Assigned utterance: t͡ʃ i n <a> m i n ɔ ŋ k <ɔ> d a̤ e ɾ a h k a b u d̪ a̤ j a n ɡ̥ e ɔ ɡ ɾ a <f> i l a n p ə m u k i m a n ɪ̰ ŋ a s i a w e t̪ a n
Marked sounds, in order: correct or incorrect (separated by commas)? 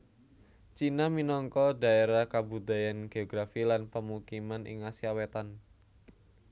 correct, correct, correct